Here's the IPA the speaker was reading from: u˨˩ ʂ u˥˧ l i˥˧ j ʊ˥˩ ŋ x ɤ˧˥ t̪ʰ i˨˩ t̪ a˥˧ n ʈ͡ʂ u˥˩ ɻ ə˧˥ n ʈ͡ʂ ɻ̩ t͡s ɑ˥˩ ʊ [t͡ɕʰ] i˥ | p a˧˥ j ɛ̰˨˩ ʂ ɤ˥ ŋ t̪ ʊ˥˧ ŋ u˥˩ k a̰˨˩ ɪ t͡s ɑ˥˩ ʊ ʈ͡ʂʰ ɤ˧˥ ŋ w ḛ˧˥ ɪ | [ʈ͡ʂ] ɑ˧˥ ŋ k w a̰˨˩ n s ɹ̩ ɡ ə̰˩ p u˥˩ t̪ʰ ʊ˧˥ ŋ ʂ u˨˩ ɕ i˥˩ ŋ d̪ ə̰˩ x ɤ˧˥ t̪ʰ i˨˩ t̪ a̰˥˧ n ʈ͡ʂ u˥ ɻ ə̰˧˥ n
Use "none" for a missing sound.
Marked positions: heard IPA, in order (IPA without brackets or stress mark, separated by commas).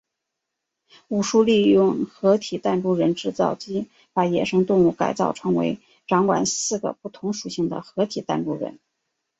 t͡ɕ, ʈ͡ʂ